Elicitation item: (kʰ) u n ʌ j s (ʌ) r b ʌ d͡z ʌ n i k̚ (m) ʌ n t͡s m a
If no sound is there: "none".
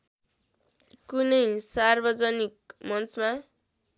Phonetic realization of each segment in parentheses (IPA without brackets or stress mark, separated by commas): k, a, m